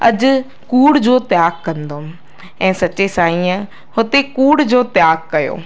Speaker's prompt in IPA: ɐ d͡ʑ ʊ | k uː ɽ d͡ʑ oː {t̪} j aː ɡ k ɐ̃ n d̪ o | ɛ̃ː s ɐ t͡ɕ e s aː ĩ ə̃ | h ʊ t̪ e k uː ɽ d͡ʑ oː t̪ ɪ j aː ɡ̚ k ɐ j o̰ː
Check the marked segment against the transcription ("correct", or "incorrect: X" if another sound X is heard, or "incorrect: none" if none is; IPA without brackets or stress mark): correct